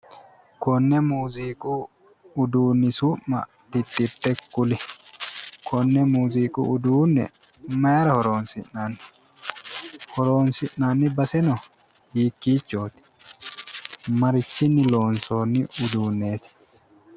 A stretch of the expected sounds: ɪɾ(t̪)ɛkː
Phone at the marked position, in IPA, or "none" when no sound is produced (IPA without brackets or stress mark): t̪